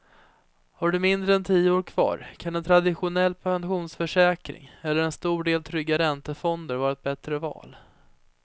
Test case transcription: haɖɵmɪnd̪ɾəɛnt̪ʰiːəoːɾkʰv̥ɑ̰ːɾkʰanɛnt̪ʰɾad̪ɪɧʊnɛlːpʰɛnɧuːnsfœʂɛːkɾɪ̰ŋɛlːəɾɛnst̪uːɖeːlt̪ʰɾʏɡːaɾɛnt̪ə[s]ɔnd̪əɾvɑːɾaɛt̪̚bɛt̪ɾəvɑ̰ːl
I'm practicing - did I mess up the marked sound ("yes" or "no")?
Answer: yes